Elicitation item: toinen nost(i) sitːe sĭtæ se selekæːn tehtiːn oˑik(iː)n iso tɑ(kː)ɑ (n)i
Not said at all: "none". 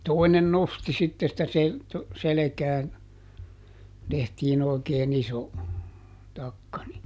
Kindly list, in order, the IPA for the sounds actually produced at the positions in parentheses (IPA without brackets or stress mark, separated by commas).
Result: i, eː, kː, n